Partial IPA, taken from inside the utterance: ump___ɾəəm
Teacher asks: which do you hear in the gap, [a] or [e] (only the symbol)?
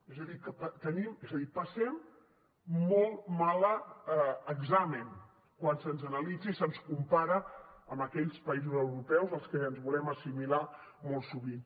a